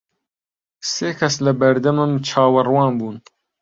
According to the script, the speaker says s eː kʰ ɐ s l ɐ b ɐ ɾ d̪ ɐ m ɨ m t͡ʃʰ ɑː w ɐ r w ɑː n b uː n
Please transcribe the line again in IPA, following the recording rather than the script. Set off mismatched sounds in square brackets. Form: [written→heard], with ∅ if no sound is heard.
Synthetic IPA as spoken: s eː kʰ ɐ s l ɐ b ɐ ɾ d̪ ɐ m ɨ m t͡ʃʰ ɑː w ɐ r w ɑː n b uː n